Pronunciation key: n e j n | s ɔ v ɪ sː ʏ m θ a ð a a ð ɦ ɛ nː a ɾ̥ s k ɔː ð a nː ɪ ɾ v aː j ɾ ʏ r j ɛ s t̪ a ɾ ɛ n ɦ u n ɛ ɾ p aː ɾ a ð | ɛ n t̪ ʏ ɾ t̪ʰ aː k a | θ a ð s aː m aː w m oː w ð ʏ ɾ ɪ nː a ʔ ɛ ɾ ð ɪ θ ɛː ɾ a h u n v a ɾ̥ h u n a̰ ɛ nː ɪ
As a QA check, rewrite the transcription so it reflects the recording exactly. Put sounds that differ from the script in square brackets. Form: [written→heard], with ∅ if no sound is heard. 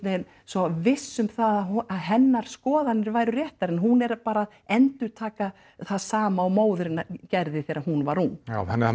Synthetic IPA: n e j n | s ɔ v ɪ sː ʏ m θ a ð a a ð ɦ ɛ nː a ɾ̥ s k ɔː ð a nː ɪ ɾ v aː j ɾ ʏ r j ɛ [s→h] t̪ a ɾ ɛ n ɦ u n ɛ ɾ p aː ɾ a ð | ɛ n t̪ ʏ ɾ t̪ʰ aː k a | θ a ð s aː m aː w m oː w ð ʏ ɾ ɪ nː a [ʔ→c] ɛ ɾ ð ɪ θ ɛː ɾ a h u n v a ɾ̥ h u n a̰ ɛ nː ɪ